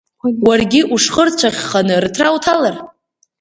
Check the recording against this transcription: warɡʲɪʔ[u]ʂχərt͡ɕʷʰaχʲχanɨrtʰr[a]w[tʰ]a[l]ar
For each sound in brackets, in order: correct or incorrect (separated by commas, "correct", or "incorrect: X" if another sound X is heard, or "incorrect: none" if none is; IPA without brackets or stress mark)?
correct, correct, correct, correct